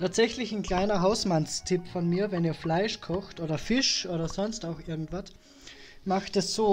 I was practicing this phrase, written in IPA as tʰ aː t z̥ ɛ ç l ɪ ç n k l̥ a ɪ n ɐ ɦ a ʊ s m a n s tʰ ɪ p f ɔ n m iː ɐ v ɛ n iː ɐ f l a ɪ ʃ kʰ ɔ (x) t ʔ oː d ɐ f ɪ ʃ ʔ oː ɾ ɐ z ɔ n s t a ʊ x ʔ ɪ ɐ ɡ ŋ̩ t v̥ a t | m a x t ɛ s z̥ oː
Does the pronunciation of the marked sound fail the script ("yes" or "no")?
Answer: no